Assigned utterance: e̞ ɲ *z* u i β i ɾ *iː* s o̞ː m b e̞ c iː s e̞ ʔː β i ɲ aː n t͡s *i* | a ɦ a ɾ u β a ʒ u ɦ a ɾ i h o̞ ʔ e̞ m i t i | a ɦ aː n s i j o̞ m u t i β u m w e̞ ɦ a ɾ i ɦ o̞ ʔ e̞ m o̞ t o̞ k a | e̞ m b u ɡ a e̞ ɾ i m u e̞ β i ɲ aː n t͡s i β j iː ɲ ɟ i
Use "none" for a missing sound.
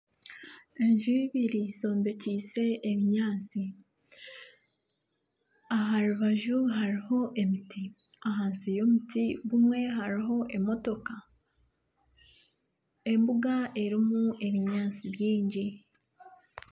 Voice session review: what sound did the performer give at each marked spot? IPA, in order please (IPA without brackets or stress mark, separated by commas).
ʒ, i, i